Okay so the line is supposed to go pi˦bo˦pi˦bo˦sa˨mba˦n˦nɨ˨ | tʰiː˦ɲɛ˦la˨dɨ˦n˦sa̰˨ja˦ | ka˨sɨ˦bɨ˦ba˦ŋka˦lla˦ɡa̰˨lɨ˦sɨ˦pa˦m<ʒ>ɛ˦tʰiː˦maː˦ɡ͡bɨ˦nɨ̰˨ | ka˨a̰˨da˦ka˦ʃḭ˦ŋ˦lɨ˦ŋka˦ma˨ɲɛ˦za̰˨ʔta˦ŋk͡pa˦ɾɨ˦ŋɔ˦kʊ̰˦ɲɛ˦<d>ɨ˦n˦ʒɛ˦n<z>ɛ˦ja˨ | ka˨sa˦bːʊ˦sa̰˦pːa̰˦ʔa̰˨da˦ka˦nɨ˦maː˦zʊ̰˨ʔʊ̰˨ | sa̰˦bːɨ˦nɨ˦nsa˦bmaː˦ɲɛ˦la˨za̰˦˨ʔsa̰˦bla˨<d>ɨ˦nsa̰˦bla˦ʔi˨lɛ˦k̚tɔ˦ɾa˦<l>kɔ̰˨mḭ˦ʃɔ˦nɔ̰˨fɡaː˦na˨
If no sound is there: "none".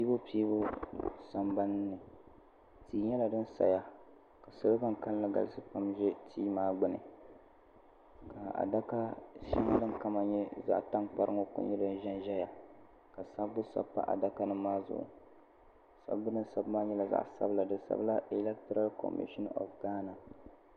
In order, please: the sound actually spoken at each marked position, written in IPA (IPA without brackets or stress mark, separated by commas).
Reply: ʒ, d, ʒ, d, l